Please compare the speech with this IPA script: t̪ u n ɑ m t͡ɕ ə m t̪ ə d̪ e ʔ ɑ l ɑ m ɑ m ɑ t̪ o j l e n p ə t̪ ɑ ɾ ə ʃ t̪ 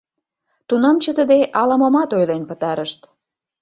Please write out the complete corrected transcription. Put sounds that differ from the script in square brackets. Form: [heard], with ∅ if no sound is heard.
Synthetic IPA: t̪ u n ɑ m t͡ɕ ə [∅] t̪ ə d̪ e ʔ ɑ l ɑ m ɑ m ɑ t̪ o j l e n p ə t̪ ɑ ɾ ə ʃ t̪